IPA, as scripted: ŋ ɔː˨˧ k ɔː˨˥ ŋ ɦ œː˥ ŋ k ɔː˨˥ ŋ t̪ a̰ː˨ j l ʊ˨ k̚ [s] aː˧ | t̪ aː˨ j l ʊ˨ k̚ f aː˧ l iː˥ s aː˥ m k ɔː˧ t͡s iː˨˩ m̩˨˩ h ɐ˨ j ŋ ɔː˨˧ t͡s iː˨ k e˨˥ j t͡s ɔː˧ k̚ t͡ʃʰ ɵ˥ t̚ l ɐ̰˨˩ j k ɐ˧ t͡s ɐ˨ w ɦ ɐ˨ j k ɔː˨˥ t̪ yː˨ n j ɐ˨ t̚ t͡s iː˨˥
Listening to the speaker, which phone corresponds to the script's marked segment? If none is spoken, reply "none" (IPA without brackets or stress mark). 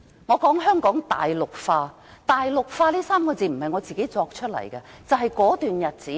f